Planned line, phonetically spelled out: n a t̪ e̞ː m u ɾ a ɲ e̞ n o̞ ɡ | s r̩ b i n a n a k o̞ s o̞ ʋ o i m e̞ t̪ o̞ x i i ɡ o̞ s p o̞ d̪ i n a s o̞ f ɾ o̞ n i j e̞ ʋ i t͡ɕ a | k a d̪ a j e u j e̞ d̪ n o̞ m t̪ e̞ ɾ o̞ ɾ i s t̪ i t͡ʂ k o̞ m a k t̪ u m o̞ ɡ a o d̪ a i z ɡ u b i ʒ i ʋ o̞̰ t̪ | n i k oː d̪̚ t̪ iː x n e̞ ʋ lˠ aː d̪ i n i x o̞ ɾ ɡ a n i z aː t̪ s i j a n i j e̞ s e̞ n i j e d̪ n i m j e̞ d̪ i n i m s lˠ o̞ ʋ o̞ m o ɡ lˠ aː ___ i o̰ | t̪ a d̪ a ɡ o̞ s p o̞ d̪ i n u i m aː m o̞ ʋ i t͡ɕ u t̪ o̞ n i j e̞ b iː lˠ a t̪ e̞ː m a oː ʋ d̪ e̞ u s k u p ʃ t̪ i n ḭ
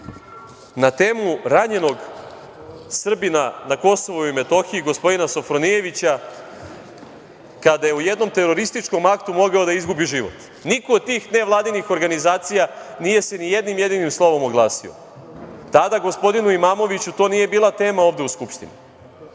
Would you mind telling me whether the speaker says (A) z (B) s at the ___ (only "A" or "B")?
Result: B